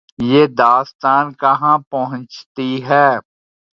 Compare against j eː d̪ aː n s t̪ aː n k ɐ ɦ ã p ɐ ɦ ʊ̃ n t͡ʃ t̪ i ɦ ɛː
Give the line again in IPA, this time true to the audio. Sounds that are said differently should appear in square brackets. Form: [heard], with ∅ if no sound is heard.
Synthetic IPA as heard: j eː d̪ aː [∅] s t̪ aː n k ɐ ɦ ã p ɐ ɦ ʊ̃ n t͡ʃ t̪ i ɦ ɛː